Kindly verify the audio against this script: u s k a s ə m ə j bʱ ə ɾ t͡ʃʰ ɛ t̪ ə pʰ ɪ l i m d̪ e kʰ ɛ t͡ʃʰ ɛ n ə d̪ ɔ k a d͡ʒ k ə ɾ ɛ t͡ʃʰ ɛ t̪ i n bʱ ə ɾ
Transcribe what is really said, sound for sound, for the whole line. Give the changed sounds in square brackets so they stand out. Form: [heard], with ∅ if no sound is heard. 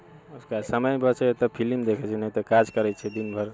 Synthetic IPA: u s k a s ə m ə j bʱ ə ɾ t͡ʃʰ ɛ t̪ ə pʰ [i] l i m d̪ e kʰ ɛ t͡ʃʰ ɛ n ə [t̪] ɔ k a d͡ʒ k ə ɾ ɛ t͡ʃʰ ɛ [d̪] i n bʱ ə ɾ